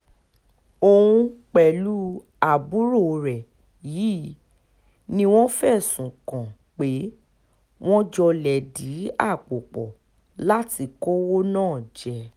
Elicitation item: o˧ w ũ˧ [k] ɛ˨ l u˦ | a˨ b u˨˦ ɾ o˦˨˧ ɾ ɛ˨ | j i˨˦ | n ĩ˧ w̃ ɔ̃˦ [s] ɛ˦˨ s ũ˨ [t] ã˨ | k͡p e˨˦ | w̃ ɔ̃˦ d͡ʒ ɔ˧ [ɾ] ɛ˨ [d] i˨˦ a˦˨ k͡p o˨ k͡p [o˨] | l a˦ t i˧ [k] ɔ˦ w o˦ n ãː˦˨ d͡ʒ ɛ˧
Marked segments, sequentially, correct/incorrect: incorrect, incorrect, incorrect, incorrect, correct, incorrect, correct

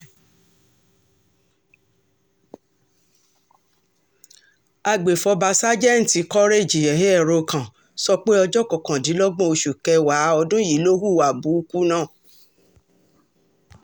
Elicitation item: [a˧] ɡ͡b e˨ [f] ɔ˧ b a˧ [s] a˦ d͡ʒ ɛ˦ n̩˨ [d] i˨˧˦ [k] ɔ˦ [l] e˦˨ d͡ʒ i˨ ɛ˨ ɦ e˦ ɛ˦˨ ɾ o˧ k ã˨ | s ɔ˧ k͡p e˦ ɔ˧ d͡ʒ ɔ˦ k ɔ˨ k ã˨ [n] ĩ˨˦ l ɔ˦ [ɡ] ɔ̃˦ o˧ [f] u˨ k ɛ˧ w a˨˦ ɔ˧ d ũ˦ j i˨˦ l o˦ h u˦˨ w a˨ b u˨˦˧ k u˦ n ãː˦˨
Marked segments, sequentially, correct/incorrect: correct, correct, correct, incorrect, correct, incorrect, incorrect, incorrect, incorrect

